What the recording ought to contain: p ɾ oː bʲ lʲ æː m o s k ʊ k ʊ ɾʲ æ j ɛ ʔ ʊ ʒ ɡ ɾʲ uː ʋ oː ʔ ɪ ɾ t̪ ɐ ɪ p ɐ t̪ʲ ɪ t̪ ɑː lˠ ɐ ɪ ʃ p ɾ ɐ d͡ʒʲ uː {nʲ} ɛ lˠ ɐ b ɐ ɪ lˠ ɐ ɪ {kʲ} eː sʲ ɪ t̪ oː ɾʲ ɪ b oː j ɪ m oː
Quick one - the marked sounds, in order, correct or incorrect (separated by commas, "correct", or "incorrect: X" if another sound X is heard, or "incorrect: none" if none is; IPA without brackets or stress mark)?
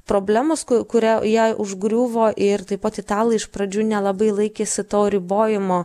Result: correct, correct